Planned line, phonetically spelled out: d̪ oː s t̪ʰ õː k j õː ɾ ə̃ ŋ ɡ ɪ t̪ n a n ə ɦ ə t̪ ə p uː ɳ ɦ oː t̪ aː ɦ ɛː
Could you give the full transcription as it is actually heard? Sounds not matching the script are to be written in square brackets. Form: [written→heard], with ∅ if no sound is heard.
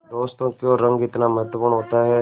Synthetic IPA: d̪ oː s [t̪ʰ→t̪] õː k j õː ɾ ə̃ ŋ ɡ ɪ t̪ n a [n→m] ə ɦ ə t̪ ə p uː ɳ ɦ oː t̪ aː ɦ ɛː